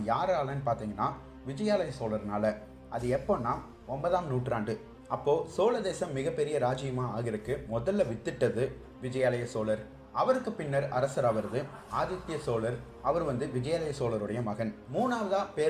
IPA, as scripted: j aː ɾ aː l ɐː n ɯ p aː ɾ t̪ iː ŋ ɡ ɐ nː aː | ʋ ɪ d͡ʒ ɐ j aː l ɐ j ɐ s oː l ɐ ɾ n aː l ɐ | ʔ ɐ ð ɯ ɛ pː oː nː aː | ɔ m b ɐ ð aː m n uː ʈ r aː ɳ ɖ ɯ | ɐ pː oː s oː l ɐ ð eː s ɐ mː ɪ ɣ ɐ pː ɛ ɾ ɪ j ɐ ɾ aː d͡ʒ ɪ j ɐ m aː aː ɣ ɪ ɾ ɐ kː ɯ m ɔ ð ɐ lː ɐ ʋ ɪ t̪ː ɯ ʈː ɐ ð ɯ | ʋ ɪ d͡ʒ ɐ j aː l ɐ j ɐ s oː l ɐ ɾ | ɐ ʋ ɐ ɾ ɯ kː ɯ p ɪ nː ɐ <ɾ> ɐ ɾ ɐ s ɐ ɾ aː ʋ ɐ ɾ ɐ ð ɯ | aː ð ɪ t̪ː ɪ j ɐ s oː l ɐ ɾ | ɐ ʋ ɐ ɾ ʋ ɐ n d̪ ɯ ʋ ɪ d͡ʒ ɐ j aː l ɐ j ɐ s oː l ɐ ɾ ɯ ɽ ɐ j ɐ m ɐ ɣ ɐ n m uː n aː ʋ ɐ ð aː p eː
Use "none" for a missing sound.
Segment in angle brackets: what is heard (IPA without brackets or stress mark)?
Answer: ɾ